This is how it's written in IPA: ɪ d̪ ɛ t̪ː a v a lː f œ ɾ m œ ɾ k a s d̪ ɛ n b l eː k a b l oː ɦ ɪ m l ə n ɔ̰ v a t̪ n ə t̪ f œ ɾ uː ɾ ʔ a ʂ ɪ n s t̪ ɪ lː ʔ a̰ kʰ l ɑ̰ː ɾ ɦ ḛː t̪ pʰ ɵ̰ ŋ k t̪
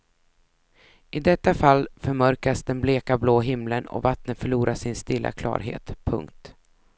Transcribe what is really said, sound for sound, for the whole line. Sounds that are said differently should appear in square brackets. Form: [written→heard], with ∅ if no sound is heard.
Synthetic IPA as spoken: ɪ d̪ ɛ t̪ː a [v→f] a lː f œ ɾ m œ ɾ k a s d̪ ɛ n b l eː k a b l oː ɦ ɪ m l ə n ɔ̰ v a t̪ n ə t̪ f œ [ɾ→ɭ] uː ɾ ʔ a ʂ ɪ n s t̪ ɪ lː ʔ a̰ kʰ l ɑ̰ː ɾ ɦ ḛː t̪ pʰ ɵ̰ ŋ k t̪